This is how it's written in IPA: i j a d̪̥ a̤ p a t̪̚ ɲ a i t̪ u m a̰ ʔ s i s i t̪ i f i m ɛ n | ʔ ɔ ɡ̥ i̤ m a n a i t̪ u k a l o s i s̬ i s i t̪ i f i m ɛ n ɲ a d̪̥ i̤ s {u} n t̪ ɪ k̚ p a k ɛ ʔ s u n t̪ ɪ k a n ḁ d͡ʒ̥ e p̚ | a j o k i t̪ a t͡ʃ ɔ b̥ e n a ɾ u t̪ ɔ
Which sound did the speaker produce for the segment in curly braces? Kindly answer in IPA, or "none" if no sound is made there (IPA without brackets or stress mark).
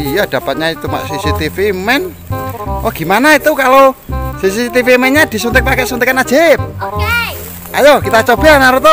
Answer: u